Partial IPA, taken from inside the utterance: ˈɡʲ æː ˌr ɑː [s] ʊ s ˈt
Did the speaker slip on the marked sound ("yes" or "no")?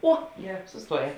no